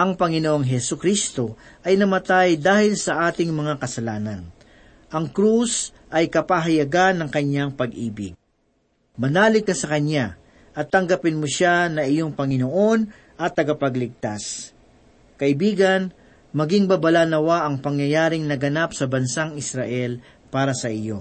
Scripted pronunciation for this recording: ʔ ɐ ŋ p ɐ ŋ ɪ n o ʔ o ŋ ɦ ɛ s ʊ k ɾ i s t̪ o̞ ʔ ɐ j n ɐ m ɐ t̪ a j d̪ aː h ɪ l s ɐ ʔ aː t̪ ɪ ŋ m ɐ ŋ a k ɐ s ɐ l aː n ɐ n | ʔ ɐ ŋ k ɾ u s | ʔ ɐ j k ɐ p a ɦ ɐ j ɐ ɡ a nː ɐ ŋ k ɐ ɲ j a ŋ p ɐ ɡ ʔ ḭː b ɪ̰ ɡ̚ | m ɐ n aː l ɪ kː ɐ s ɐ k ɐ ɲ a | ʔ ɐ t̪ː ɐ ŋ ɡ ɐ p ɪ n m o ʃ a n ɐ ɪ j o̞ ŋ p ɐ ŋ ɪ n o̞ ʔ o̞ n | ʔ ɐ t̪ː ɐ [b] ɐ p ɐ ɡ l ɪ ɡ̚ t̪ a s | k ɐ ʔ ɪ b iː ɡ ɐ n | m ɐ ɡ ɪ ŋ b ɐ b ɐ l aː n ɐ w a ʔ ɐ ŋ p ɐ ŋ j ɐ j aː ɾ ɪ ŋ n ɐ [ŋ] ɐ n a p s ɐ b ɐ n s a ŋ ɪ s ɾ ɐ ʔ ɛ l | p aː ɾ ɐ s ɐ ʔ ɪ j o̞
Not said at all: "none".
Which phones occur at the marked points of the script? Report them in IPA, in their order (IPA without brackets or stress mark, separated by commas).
ɡ, ɡ